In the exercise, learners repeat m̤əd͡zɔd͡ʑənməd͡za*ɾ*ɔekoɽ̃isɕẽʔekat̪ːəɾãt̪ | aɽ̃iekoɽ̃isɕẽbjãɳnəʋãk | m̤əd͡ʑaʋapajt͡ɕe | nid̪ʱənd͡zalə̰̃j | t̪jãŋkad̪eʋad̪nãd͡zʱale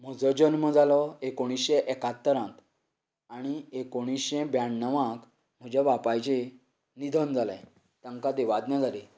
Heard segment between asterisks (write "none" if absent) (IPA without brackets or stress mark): l